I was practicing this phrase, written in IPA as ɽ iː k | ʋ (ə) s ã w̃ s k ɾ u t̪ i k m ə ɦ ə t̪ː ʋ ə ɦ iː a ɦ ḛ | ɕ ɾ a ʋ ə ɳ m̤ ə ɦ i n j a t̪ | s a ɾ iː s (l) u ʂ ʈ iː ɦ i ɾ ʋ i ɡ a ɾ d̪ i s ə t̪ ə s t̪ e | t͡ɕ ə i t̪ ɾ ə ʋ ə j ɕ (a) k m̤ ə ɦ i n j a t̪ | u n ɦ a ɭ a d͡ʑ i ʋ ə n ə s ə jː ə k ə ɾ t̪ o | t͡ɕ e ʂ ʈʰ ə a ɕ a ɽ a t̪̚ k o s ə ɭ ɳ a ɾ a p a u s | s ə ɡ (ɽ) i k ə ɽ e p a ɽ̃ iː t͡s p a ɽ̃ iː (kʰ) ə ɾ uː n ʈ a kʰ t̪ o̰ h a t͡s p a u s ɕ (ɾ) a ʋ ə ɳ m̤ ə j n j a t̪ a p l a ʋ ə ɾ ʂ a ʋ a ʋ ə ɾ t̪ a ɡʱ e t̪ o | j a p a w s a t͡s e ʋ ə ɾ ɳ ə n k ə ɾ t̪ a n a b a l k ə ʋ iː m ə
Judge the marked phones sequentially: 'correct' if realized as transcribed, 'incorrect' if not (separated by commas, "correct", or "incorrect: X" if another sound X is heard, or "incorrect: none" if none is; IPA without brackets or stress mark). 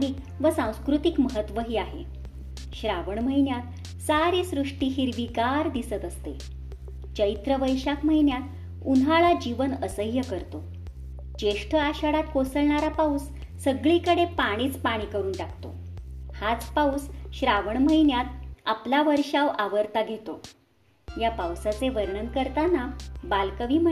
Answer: correct, incorrect: ɾ, correct, incorrect: ɭ, incorrect: k, correct